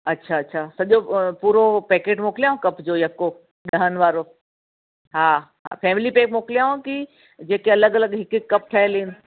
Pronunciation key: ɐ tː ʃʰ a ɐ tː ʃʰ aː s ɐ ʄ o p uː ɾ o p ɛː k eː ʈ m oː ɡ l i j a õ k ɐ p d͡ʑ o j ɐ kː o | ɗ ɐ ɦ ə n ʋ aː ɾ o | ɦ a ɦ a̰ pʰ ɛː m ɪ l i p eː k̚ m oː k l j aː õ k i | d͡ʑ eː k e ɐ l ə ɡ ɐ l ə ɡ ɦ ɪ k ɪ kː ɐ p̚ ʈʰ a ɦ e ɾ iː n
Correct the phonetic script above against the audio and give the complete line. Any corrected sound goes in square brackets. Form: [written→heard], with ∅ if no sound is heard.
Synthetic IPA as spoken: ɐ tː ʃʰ a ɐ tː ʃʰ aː s ɐ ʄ o p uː ɾ o p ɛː k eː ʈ m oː [ɡ→k] l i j a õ k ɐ p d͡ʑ o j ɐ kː o | ɗ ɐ ɦ ə n ʋ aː ɾ o | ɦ a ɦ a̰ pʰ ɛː m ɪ l i p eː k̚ m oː k l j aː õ k i | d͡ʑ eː k e ɐ l ə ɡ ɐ l ə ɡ ɦ ɪ k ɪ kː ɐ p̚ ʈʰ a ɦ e [ɾ→l] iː n